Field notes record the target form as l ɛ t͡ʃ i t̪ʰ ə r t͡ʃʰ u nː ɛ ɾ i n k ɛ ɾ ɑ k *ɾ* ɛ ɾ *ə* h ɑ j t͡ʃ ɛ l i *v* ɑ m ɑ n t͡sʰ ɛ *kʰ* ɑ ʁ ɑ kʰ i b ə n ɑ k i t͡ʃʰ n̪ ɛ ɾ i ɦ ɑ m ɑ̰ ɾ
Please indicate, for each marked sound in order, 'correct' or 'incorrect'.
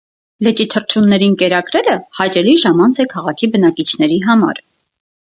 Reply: correct, correct, incorrect: ʒ, correct

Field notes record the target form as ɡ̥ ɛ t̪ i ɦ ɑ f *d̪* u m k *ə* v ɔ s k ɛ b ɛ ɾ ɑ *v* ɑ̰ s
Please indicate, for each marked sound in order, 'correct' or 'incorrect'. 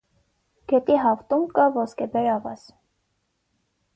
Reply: incorrect: t̪, incorrect: ɑ, correct

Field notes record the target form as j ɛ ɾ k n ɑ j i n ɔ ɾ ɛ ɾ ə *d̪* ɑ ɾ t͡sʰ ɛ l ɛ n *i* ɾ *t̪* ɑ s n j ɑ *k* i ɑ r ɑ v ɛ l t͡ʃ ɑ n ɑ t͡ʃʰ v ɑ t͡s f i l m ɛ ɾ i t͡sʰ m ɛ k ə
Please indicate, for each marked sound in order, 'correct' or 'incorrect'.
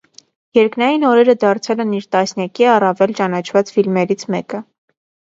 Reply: correct, correct, correct, correct

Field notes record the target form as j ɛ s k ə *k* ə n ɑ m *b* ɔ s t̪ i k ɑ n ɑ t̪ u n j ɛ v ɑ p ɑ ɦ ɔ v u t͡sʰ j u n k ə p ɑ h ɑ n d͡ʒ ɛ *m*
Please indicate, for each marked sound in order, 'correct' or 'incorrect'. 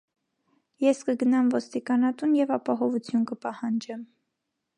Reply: incorrect: ɡ, incorrect: v, correct

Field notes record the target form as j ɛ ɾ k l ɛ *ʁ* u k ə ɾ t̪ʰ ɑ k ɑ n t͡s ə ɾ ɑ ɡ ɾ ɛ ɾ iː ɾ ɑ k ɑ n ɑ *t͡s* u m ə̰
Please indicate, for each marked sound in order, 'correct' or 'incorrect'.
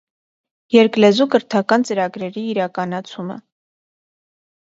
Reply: incorrect: z, incorrect: t͡sʰ

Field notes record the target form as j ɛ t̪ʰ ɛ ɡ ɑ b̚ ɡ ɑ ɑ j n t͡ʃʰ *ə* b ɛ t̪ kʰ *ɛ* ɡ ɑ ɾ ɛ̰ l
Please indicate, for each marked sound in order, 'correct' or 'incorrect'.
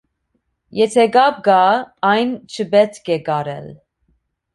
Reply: correct, correct

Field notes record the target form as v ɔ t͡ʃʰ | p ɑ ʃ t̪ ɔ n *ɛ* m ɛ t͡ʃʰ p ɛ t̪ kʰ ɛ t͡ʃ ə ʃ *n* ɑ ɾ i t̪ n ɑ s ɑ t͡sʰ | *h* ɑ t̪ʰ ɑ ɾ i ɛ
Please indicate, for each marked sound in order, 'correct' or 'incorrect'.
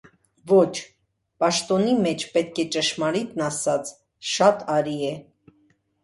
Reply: incorrect: i, incorrect: m, incorrect: ʃ

